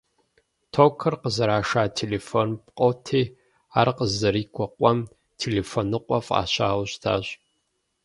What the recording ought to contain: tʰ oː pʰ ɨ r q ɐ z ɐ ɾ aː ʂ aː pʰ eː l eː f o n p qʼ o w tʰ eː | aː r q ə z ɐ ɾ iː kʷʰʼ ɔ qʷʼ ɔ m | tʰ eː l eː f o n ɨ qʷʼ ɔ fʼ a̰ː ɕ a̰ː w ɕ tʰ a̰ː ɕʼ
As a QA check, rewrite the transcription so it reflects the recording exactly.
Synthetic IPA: tʰ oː kʰ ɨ r q ə z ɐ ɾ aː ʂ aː tʰ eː l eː f o n p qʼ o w tʰ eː | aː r q ə z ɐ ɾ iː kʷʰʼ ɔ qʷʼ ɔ m | tʰ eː l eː f o n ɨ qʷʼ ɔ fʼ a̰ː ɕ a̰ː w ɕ tʰ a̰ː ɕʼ